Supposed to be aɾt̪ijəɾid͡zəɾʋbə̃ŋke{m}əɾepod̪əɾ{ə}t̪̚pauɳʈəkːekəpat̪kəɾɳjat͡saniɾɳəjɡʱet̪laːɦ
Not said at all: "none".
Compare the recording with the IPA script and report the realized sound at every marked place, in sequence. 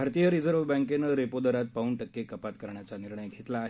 n, a

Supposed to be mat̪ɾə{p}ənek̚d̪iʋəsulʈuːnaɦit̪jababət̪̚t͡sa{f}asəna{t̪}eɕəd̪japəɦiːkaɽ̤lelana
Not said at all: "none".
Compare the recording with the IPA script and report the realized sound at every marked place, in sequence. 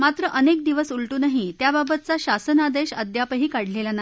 ʔ, ɕ, d̪

